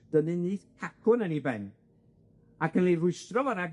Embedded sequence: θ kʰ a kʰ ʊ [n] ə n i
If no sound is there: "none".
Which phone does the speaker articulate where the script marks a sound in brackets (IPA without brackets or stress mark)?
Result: n